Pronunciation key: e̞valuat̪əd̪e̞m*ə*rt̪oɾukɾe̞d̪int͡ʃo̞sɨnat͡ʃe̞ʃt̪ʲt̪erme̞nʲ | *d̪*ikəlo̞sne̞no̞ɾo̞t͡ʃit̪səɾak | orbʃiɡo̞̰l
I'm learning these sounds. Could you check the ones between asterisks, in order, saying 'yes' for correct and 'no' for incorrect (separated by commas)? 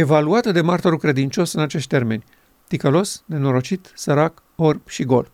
no, no